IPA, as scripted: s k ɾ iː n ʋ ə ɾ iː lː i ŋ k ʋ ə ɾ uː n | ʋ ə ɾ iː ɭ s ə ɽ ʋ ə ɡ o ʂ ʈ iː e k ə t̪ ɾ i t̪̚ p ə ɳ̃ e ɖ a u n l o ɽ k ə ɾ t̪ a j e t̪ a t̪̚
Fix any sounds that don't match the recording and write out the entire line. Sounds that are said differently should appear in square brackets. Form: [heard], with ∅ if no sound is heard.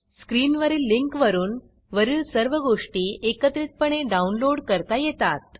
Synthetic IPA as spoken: s k ɾ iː n ʋ ə ɾ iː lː i ŋ k ʋ ə ɾ uː n | ʋ ə ɾ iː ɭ s ə [ɾ] ʋ ə ɡ o ʂ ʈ iː e k ə t̪ ɾ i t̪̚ p ə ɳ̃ e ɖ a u n l o ɽ k ə ɾ t̪ a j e t̪ a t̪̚